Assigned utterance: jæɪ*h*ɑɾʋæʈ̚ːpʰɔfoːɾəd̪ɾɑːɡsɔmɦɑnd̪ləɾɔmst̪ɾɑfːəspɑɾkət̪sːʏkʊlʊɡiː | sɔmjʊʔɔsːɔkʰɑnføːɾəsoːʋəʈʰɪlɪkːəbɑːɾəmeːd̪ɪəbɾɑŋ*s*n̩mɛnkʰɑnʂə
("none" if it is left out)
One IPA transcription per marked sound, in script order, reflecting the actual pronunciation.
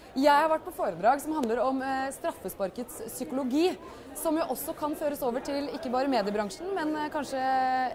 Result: h, ʂ

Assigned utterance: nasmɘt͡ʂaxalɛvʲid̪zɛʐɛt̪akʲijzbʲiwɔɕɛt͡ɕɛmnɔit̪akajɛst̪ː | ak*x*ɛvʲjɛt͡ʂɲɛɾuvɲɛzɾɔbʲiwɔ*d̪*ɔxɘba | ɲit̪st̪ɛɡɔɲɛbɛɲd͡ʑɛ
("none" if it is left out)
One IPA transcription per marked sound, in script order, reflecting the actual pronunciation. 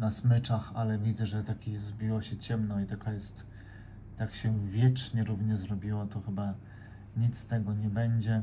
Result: ɕ, t̪

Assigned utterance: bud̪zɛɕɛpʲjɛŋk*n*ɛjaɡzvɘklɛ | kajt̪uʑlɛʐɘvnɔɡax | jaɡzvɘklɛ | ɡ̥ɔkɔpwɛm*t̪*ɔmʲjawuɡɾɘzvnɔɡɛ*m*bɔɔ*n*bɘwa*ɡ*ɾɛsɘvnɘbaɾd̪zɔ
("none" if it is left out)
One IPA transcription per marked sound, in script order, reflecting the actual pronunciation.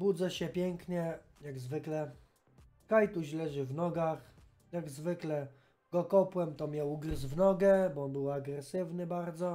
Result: ɲ, t̪, none, n, ɡ

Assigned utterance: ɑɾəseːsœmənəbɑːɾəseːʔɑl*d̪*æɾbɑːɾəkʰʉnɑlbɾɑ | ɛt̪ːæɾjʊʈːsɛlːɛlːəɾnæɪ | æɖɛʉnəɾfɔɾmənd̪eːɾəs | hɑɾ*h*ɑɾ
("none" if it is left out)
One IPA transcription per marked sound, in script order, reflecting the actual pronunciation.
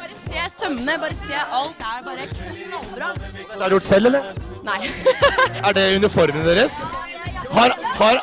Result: t̪, h

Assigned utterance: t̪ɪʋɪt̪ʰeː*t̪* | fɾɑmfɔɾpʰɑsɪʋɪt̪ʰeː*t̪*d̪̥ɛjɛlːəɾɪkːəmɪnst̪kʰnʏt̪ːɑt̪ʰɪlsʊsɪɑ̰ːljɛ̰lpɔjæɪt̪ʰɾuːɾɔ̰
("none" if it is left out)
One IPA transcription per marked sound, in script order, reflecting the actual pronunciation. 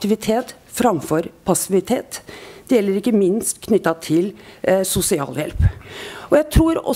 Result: t̪, t̪

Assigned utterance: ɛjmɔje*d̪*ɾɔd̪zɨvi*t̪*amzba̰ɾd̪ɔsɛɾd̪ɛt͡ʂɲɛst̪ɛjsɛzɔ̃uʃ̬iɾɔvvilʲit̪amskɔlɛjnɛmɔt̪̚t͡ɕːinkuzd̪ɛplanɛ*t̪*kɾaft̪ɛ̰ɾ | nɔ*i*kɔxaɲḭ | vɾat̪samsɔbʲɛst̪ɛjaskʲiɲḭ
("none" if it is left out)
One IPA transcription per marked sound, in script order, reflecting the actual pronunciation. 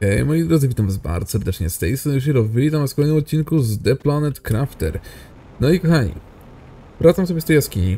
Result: d̪, t̪, t̪, i

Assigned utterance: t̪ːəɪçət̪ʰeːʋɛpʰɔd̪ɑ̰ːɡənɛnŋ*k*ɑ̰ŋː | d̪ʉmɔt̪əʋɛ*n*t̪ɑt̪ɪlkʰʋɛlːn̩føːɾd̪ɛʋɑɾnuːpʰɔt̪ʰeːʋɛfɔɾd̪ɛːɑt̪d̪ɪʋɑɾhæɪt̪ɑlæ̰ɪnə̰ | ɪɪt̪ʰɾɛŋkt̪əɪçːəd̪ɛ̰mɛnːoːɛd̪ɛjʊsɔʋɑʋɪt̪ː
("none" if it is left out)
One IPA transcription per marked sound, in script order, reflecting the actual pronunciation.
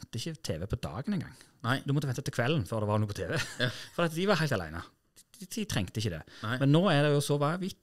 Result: ɡ, n

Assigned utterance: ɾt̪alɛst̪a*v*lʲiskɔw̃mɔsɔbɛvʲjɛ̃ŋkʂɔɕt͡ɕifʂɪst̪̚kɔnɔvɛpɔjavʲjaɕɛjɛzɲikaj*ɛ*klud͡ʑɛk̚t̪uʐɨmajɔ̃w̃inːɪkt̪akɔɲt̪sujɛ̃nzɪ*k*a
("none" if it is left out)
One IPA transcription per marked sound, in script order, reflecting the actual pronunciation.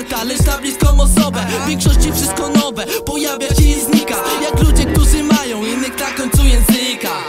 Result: b, a, k

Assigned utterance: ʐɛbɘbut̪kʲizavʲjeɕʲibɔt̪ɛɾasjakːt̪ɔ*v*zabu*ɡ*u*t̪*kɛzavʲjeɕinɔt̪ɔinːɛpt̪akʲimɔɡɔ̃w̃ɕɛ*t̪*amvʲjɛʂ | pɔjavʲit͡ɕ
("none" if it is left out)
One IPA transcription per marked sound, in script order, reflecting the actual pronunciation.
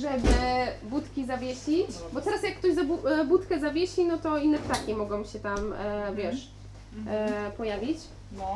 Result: ʑ, b, t̪, t̪

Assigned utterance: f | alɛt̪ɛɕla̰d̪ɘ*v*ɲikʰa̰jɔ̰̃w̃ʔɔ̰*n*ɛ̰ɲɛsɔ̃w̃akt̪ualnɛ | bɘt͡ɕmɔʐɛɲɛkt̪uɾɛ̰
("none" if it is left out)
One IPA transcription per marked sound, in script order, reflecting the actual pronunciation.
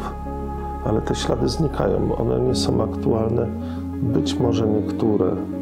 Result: z, n

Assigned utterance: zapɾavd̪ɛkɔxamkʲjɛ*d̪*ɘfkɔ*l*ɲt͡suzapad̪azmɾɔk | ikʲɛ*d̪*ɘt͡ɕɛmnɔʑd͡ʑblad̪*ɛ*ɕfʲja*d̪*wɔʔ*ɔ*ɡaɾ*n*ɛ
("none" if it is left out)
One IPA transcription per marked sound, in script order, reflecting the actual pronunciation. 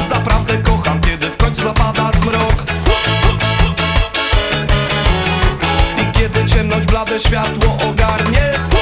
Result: d̪, none, d̪, ɛ, t̪, ɔ, ɲ

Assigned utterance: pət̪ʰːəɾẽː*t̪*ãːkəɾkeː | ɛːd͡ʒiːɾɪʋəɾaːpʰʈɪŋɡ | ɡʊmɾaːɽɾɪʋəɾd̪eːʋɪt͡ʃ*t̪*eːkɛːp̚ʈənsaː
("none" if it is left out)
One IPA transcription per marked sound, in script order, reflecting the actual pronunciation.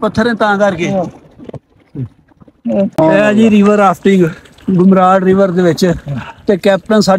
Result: t̪, t̪

